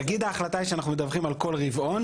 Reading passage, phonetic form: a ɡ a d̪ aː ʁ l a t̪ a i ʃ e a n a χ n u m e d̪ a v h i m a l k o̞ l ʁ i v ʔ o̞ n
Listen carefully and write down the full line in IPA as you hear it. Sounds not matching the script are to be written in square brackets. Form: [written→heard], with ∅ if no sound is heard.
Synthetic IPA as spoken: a ɡ [a→i] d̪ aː [ʁ→χ] l a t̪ a i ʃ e a n a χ n u m e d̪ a v [h→χ] i m a l k o̞ l ʁ i v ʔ o̞ n